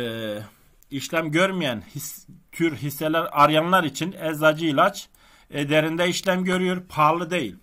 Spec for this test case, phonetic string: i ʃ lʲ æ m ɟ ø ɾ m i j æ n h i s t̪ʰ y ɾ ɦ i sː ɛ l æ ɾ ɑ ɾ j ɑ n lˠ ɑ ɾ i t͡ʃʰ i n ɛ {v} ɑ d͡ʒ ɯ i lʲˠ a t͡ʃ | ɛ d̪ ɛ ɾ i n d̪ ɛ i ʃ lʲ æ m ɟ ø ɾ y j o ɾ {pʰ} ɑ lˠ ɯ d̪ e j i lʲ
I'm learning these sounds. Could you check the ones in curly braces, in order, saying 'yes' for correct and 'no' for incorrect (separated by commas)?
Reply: no, yes